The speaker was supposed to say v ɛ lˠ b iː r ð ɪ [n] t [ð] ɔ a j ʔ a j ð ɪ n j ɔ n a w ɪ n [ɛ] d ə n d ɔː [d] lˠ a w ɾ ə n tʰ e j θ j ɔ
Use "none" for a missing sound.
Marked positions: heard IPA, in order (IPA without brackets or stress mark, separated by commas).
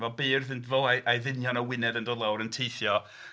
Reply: n, v, ɛ, d